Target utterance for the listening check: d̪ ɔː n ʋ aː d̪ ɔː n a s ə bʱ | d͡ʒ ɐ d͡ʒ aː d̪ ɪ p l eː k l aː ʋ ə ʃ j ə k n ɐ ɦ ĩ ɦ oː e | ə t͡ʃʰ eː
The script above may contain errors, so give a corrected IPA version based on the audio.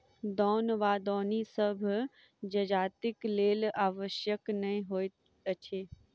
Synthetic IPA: d̪ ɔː n ʋ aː d̪ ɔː n i s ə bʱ | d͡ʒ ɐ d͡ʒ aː t̪ ɪ k l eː l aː ʋ ə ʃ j ə k n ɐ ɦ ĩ ɦ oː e | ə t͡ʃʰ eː